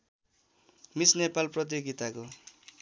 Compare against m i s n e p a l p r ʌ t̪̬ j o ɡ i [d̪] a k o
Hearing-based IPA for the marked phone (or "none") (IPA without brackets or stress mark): t̪